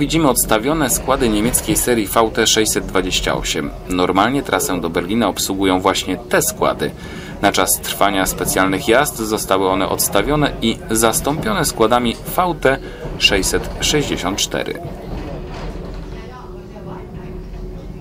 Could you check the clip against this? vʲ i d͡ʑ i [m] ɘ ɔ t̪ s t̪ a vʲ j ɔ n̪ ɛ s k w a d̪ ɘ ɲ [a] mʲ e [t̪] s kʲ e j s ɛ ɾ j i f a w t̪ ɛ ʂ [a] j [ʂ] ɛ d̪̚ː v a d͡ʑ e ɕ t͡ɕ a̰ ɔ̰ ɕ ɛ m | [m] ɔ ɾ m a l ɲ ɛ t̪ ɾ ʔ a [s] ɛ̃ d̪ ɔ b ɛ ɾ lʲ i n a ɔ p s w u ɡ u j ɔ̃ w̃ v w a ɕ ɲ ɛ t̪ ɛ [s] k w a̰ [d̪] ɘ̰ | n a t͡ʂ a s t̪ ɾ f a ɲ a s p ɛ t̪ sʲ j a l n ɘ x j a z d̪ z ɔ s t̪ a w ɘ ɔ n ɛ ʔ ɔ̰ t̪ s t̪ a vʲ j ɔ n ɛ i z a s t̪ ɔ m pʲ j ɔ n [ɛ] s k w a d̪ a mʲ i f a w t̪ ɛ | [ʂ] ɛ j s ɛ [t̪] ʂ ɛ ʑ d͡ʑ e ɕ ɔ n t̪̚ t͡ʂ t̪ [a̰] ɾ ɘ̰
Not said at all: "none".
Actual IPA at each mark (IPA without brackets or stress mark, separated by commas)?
m, e, t̪, ɛ, s, n, s, s, d̪, ɛ, ʂ, t̪, ɛ̰